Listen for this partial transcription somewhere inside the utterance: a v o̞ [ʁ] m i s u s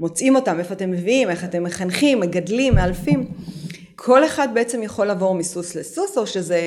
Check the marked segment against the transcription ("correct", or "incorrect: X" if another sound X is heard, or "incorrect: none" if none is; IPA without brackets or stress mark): correct